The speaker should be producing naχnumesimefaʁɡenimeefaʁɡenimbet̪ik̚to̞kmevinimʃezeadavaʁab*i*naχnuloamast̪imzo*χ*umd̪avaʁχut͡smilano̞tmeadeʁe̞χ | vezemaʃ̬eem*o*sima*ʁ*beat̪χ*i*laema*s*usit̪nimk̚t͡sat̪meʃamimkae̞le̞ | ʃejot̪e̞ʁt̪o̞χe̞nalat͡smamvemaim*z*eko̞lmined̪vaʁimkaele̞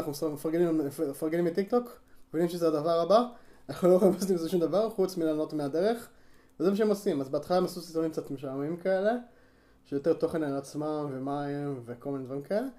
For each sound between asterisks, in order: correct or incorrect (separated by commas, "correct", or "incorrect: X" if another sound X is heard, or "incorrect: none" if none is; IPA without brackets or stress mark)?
incorrect: a, incorrect: ʃ, correct, incorrect: z, incorrect: a, correct, incorrect: v